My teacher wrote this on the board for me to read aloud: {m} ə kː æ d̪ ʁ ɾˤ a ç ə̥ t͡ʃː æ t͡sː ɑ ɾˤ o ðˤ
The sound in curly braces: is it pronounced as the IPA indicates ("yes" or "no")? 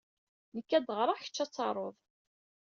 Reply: no